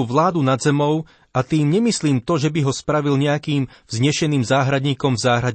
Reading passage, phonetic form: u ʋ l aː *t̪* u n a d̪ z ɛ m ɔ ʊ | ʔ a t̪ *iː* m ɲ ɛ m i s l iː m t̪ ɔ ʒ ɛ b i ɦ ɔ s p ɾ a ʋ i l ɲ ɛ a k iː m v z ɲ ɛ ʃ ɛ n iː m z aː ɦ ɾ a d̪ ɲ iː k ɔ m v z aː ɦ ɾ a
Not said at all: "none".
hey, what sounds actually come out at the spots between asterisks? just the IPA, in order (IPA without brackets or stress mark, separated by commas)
d̪, iː